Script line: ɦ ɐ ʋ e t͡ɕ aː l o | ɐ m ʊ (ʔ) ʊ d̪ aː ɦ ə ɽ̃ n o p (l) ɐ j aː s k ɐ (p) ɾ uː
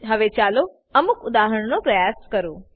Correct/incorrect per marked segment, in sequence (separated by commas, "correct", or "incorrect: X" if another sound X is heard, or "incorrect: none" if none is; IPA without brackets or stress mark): incorrect: k, incorrect: ɾ, incorrect: none